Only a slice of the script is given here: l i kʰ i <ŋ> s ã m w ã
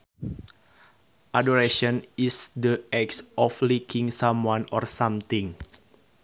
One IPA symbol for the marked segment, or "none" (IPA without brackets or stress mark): ŋ